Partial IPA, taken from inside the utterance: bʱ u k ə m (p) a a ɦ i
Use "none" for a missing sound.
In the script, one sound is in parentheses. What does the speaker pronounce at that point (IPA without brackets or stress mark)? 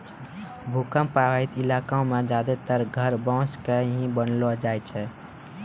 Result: p